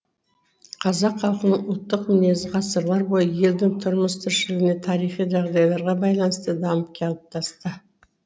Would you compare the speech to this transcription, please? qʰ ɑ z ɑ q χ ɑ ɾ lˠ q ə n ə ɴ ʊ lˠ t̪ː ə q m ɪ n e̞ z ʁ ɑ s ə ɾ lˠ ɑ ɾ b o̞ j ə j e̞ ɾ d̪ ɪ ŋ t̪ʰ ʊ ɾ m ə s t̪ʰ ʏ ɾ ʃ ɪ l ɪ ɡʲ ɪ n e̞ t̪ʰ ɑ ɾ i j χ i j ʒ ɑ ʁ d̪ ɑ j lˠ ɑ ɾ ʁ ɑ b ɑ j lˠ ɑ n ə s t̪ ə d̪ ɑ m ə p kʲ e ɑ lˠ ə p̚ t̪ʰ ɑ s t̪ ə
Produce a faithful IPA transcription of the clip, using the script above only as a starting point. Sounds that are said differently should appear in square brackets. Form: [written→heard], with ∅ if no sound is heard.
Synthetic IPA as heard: qʰ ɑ z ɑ q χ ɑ [ɾ→∅] lˠ q ə n ə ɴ ʊ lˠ t̪ː ə q m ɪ n e̞ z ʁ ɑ s ə ɾ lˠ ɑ ɾ b o̞ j ə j e̞ [ɾ→l] d̪ ɪ ŋ t̪ʰ ʊ ɾ m ə s t̪ʰ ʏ ɾ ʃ ɪ l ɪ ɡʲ ɪ n e̞ t̪ʰ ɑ ɾ i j χ i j ʒ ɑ ʁ d̪ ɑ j lˠ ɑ ɾ ʁ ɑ b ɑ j lˠ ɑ n ə s t̪ ə d̪ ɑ m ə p kʲ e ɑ lˠ ə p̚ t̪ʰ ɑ s t̪ ə

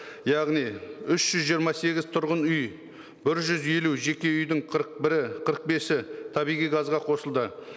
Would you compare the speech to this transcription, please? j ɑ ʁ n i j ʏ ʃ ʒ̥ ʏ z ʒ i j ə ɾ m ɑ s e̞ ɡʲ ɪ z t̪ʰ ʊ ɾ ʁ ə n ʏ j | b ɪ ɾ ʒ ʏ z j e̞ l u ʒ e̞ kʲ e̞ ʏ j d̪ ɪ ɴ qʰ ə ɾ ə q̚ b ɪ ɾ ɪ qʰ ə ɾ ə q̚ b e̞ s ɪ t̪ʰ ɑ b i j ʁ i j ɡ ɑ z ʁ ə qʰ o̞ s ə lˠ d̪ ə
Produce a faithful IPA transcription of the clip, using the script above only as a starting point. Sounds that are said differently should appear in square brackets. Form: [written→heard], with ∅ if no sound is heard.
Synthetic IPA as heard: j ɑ ʁ n i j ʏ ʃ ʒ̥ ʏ z ʒ i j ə ɾ m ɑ s e̞ ɡʲ ɪ z t̪ʰ ʊ ɾ ʁ ə n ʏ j | b ɪ ɾ ʒ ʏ z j e̞ l u ʒ e̞ kʲ e̞ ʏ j d̪ ɪ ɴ qʰ ə ɾ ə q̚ b ɪ ɾ ɪ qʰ ə ɾ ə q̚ b e̞ s ɪ t̪ʰ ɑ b i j ʁ i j ɡ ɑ z ʁ [ə→ɑ] qʰ o̞ s ə lˠ d̪ ə

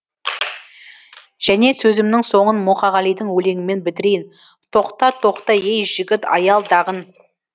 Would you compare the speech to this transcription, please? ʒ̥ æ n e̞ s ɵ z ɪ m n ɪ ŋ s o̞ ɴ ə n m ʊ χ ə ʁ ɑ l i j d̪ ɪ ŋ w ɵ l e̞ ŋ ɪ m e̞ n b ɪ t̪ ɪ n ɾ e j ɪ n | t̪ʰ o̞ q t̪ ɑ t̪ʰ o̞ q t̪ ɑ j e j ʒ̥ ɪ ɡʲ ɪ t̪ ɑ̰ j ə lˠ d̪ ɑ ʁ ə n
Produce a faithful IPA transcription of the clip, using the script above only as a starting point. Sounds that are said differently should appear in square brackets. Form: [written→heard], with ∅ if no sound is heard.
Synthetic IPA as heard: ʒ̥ æ n e̞ s ɵ z ɪ m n ɪ ŋ s o̞ ɴ ə n m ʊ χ [ə→ɑ] ʁ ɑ l i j d̪ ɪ ŋ w ɵ l e̞ ŋ ɪ m e̞ n b ɪ t̪ ɪ [n→∅] ɾ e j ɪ n | t̪ʰ o̞ q t̪ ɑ t̪ʰ o̞ q t̪ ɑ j e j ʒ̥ ɪ ɡʲ ɪ t̪ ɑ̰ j [ə→ɑ] lˠ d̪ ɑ ʁ ə n

